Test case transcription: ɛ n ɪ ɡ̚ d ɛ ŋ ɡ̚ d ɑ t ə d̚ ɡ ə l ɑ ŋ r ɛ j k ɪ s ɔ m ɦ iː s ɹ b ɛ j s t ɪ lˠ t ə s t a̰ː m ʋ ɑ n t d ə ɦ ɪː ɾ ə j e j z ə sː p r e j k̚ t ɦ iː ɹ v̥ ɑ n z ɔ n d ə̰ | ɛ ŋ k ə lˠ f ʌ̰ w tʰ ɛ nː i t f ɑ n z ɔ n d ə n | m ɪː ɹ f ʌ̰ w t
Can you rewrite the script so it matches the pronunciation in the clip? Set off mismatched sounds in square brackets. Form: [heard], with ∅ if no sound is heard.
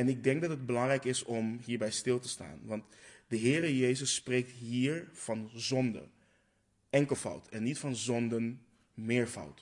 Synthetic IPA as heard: ɛ n ɪ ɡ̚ d ɛ ŋ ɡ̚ d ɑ t ə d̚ [b] ə l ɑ ŋ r ɛ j k ɪ s ɔ m ɦ iː [∅] ɹ b ɛ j s t ɪ lˠ t ə s t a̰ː [n] ʋ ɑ n t d ə ɦ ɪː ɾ ə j e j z ə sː p r e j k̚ t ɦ iː ɹ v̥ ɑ n z ɔ n d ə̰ | ɛ ŋ k ə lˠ f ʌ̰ w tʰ ɛ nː i t f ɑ n z ɔ n d ə n | m ɪː ɹ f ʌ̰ w t